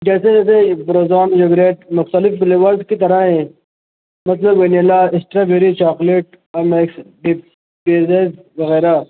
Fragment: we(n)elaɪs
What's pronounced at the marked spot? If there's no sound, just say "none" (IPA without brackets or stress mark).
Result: n